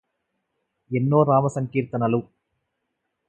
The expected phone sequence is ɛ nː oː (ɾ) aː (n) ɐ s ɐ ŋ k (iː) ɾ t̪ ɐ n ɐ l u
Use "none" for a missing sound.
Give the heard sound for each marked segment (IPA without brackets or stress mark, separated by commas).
ɾ, m, iː